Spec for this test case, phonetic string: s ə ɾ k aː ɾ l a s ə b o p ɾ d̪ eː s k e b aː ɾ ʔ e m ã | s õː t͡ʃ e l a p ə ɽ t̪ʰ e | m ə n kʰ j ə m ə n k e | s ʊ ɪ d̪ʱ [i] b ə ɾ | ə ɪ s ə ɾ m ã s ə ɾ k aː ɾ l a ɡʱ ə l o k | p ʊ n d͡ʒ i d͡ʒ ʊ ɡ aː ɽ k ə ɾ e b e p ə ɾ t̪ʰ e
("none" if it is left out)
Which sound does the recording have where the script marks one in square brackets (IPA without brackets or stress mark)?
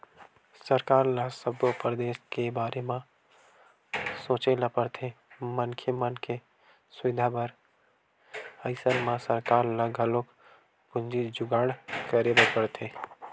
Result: a